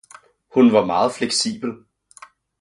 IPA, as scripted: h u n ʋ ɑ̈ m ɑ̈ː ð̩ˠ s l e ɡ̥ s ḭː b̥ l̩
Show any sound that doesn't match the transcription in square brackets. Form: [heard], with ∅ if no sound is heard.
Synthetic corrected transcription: h u n ʋ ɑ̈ m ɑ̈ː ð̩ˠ [f] l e ɡ̥ s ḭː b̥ l̩